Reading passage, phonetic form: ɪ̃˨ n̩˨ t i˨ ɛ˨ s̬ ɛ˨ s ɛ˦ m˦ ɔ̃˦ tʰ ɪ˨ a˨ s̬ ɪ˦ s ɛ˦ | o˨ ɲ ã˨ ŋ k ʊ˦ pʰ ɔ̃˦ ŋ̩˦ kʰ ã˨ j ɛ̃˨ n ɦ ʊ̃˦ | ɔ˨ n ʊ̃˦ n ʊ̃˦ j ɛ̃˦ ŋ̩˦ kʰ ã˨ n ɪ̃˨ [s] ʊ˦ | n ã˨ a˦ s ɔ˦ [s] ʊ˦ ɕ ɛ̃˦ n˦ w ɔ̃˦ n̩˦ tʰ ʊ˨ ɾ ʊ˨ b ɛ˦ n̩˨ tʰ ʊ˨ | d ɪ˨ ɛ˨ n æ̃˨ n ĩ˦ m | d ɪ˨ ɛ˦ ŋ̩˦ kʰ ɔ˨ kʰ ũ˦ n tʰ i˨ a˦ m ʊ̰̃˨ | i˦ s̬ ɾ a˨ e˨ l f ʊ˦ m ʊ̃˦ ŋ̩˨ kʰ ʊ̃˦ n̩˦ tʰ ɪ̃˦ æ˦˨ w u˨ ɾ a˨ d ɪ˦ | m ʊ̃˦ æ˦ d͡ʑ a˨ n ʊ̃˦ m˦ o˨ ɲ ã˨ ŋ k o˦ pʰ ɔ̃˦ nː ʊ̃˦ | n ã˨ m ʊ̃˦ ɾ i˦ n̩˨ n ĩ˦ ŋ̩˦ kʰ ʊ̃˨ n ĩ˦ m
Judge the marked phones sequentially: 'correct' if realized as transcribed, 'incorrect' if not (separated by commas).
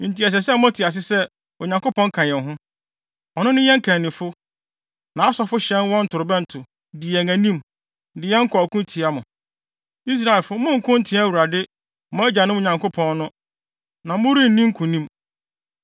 incorrect, incorrect